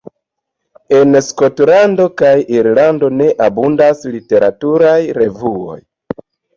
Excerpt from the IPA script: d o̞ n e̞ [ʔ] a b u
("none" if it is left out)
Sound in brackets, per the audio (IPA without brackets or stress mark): ʔ